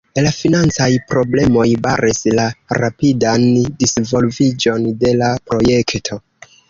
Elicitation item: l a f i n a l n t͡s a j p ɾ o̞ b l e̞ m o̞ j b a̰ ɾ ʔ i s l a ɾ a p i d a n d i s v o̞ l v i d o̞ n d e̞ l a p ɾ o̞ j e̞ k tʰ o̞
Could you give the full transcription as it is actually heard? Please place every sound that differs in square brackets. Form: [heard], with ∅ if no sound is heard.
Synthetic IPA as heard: l a f i n a [∅] n t͡s a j p ɾ o̞ b l e̞ m o̞ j b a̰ ɾ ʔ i s l a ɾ a p i d a n d i s v o̞ l v i [d͡ʒ] o̞ n d e̞ l a p ɾ o̞ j e̞ k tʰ o̞